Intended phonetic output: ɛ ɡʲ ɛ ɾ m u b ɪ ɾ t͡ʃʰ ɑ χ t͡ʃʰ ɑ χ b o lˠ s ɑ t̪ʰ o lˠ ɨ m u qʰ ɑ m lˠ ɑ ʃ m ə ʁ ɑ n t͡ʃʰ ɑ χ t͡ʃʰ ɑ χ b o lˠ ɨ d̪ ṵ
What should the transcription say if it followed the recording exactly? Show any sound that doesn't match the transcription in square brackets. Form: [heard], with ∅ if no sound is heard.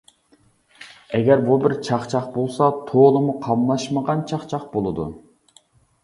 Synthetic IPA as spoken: ɛ ɡʲ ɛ ɾ [b] u b ɪ ɾ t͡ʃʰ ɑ χ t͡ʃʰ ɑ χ b o lˠ s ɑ t̪ʰ o lˠ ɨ m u qʰ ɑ m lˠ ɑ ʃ m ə ʁ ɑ n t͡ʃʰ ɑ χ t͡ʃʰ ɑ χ b o lˠ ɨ d̪ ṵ